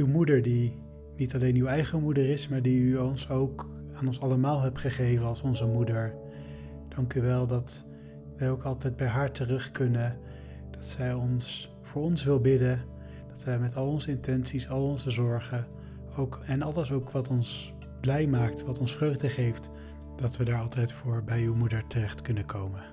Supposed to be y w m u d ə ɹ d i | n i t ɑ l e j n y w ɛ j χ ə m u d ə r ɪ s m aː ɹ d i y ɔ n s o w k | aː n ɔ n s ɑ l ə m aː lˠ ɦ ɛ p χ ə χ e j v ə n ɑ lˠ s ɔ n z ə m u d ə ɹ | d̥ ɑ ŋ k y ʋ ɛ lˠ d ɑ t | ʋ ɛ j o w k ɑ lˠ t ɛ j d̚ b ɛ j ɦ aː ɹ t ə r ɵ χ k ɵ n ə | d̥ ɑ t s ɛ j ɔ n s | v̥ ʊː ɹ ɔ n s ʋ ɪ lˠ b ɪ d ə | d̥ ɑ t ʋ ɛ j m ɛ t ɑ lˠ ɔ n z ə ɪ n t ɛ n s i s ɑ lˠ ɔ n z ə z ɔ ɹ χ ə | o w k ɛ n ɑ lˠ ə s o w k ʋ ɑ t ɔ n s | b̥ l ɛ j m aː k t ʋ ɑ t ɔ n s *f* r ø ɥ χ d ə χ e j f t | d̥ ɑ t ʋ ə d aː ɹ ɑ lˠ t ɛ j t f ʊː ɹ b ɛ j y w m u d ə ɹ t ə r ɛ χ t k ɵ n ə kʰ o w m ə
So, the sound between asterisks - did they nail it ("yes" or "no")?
yes